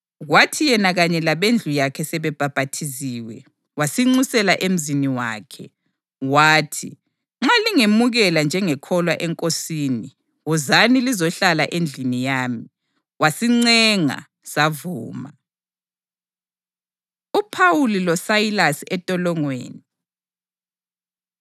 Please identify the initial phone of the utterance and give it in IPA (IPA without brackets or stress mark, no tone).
ɣ